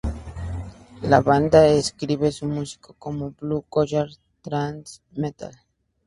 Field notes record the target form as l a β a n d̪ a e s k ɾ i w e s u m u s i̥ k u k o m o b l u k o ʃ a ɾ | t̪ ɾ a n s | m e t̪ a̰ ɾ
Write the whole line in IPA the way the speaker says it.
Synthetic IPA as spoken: l a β a n d̪ a e s k ɾ i β e s u m u s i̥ k o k o m o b l u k o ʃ a ɾ | t̪ ɾ a n s | m e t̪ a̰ l

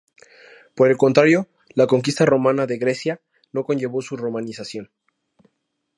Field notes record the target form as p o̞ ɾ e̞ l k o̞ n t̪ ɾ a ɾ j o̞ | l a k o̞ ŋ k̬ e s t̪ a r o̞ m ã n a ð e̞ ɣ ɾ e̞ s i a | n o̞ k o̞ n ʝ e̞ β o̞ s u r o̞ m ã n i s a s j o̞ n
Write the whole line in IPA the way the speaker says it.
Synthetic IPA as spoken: p o̞ ɾ e̞ l k o̞ n t̪ ɾ a ɾ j o̞ | l a k o̞ ŋ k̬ i s t̪ a r o̞ m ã n a ð e̞ ɣ ɾ e̞ s j a | n o̞ k o̞ n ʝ e̞ β o̞ s u r o̞ m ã n i s a s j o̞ n

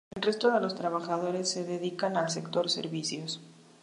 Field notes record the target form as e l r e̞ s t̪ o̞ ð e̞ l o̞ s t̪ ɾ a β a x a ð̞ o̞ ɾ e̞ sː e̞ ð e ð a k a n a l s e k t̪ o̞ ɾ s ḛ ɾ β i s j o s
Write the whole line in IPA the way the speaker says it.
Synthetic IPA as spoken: e l r e̞ s t̪ o̞ ð e̞ l o̞ s t̪ ɾ a β a x a ð̞ o̞ ɾ e̞ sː e̞ ð e ð i k a n a l s e k t̪ o̞ ɾ s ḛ ɾ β i s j o s

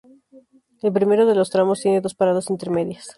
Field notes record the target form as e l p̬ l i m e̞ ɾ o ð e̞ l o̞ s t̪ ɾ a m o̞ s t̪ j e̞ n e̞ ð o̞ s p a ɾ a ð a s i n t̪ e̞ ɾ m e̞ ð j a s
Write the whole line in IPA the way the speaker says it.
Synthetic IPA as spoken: e l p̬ ɾ i m e̞ ɾ o ð e̞ l o̞ s t̪ ɾ a m o̞ s t̪ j e̞ n e̞ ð o̞ s p a ɾ a ð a s i n t̪ e̞ ɾ m e̞ ð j a s

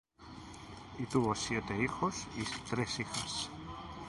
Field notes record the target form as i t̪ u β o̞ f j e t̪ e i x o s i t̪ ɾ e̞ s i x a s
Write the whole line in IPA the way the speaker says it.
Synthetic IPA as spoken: i t̪ u β o̞ s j e t̪ e i x o s i t̪ ɾ e̞ s i x a s

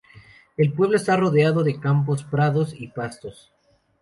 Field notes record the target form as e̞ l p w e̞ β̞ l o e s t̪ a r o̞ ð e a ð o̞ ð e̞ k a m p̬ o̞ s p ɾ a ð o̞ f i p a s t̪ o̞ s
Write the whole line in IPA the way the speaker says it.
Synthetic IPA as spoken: e̞ l p w e̞ β̞ l o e s t̪ a r o̞ ð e a ð o̞ ð e̞ k a m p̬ o̞ s p ɾ a ð o̞ s i p a s t̪ o̞ s

